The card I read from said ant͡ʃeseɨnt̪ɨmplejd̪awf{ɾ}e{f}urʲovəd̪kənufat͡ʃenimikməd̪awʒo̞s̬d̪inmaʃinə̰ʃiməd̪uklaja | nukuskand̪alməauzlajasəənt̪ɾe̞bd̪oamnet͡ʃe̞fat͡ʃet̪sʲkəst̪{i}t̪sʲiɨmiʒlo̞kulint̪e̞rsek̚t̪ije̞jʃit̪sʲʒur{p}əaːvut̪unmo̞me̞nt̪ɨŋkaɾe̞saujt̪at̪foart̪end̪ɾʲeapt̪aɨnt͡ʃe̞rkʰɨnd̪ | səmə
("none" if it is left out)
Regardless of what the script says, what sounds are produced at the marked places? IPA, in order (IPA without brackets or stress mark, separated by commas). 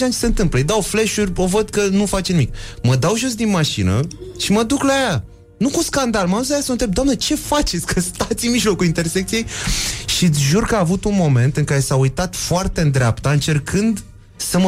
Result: l, ʃ, a, k